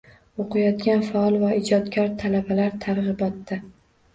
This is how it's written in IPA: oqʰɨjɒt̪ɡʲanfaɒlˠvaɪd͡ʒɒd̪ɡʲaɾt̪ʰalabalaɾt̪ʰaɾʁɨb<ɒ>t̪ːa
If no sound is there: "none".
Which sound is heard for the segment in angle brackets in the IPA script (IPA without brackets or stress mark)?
ɒ